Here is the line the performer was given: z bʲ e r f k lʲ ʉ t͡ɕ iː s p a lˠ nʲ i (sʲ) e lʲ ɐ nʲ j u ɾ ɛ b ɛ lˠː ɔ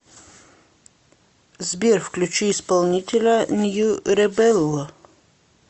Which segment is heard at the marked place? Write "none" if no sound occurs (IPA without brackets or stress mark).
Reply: tʲ